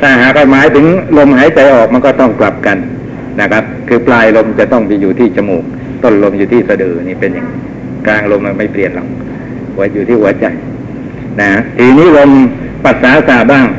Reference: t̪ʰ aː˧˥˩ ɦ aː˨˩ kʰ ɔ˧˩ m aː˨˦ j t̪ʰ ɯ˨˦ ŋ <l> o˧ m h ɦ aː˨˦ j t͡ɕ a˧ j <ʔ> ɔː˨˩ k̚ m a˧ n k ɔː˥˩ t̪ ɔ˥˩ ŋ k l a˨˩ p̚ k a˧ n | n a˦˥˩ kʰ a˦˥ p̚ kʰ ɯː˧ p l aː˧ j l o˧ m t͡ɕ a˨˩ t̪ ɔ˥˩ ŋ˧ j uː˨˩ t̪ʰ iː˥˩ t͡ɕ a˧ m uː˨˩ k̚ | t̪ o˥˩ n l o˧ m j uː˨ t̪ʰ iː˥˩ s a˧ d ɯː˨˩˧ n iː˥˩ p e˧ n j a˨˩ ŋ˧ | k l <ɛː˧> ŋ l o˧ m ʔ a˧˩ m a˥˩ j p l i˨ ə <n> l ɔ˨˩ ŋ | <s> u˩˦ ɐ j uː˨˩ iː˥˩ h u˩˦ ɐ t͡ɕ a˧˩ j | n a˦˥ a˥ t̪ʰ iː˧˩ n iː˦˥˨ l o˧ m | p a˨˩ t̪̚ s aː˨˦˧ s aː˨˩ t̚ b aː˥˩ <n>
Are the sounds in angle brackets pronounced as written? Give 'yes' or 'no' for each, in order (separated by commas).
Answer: yes, yes, no, yes, no, no